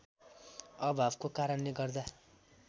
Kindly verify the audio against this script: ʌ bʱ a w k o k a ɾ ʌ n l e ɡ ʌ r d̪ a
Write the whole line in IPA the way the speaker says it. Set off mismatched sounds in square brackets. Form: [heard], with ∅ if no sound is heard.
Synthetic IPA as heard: ʌ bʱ a [b] k o k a ɾ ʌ n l e ɡ ʌ r d̪ a